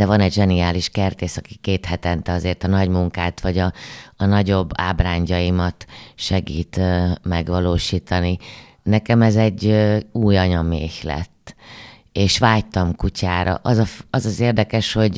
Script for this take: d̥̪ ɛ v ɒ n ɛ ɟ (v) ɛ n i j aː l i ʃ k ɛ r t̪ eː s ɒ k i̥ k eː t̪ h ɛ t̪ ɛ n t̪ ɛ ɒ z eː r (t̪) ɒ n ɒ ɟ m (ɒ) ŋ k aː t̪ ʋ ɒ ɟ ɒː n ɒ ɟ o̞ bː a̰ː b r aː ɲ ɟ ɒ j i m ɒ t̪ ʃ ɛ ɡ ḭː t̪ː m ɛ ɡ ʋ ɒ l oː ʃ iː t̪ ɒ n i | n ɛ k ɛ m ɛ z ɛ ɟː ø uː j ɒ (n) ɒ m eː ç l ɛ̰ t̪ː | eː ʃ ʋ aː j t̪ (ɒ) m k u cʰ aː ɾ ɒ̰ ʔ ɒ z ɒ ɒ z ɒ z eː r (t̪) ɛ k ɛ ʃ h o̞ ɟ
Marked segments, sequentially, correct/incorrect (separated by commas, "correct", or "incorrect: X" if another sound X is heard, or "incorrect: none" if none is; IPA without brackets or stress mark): incorrect: ʒ, correct, incorrect: u, incorrect: ɲ, correct, incorrect: d̪